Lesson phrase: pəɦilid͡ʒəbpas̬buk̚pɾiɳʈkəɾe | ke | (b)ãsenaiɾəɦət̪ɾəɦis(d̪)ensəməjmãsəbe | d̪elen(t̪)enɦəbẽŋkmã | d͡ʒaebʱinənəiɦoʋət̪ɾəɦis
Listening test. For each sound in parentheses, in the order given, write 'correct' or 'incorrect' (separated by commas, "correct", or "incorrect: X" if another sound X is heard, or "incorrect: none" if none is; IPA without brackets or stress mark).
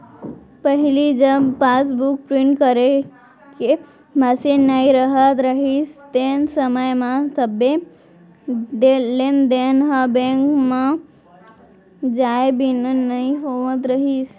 incorrect: m, incorrect: t̪, incorrect: d̪